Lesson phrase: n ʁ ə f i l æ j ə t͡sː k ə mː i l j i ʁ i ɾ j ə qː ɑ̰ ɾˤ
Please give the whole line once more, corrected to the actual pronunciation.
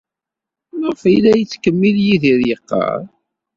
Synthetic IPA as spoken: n ʁ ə f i l æ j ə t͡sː k ə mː i l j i ð i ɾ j ə qː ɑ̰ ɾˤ